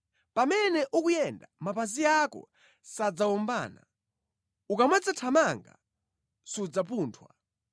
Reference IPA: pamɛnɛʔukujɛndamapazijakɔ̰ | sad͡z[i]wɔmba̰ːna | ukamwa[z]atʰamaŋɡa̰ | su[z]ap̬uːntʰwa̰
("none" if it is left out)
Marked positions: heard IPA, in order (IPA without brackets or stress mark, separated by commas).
a, d͡z, d͡z